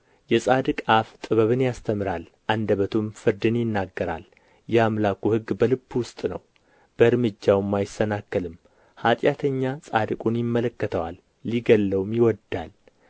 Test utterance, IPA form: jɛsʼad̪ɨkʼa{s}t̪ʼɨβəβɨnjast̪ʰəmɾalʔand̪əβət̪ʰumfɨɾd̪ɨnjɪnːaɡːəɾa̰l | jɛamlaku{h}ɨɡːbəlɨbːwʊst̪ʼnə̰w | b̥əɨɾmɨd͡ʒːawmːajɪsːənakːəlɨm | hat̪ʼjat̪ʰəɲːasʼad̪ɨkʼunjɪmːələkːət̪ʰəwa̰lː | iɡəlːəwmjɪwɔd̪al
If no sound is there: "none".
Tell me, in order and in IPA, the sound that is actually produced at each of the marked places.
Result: f, h

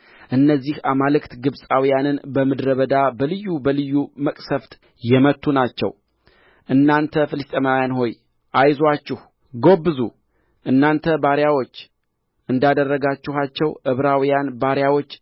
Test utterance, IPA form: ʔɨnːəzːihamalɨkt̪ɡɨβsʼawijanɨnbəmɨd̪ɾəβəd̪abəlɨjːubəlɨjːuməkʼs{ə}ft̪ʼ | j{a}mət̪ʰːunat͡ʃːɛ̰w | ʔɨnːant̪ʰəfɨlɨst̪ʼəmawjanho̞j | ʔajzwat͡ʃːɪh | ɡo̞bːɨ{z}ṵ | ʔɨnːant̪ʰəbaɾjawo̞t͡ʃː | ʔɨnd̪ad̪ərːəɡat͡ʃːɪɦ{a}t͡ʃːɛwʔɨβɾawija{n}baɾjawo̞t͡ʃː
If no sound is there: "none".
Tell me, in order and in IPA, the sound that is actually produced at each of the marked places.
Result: ə, ɛ, z, a, n

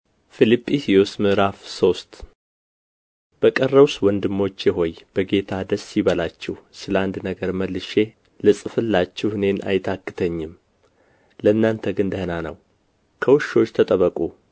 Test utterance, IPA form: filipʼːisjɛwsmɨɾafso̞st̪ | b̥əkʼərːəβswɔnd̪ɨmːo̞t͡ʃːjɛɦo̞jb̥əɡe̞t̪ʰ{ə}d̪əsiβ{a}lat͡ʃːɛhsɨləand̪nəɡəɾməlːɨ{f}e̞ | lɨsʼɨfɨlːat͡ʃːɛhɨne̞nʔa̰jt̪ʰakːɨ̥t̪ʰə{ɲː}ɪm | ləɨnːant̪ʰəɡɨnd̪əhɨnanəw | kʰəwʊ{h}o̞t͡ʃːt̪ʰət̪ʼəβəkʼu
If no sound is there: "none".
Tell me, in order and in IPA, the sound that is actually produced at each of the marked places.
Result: a, ə, ʃ, ɲː, ʃ

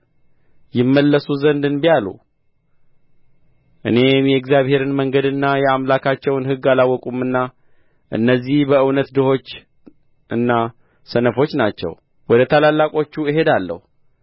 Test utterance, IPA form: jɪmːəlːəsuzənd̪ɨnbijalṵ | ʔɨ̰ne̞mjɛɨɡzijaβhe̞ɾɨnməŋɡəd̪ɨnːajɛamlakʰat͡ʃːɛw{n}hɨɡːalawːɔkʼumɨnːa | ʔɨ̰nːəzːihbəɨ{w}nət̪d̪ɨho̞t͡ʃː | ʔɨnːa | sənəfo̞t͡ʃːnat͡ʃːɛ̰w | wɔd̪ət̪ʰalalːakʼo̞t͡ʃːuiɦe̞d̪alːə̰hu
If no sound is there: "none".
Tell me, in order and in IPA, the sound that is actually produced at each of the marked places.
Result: n, w

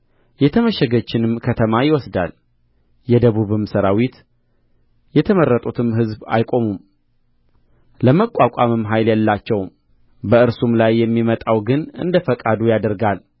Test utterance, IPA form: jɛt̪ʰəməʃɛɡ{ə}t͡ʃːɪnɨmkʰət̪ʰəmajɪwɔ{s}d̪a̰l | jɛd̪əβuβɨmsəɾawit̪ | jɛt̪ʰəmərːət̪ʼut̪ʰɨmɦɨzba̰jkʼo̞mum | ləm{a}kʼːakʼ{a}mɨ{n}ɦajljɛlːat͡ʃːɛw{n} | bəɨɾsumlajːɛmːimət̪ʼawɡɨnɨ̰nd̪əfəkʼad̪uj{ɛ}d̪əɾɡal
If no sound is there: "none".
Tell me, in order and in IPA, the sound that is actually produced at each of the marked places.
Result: ə, s, ə, a, m, m, a

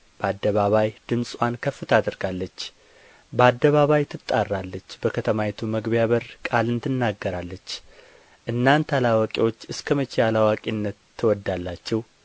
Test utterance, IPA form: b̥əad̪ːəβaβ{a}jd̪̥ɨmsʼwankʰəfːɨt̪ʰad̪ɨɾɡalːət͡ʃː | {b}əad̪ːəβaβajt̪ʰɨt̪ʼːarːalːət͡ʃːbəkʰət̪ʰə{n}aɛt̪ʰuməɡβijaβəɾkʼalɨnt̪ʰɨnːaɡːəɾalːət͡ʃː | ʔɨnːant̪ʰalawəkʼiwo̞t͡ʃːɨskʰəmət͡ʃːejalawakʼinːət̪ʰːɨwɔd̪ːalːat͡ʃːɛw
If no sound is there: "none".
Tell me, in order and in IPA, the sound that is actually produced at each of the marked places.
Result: a, b, m

